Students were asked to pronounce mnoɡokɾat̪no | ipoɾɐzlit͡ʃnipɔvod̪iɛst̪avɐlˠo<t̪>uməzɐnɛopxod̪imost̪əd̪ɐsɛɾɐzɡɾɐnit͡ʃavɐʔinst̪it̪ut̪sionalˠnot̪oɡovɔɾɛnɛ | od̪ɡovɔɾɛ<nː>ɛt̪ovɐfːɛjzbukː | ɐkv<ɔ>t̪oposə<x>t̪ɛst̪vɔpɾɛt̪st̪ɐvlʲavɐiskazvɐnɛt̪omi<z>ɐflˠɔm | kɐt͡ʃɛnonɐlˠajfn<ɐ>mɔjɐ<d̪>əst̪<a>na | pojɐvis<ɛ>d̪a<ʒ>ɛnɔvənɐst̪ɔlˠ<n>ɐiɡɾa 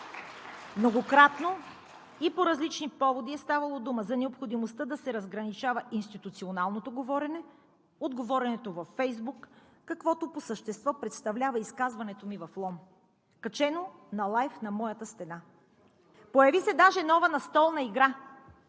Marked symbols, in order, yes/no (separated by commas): no, no, yes, no, no, yes, no, no, yes, yes, yes